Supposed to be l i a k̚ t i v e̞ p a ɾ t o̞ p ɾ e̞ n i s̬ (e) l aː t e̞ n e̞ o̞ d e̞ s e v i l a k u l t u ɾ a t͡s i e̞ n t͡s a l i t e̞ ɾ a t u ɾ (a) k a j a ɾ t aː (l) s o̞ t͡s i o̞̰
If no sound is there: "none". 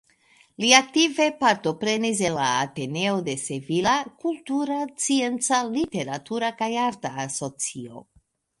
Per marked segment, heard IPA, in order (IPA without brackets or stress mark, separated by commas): e, a, none